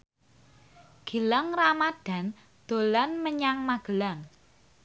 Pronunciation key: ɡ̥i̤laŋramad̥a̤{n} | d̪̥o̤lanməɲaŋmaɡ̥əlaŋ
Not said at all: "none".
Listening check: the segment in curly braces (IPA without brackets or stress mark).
n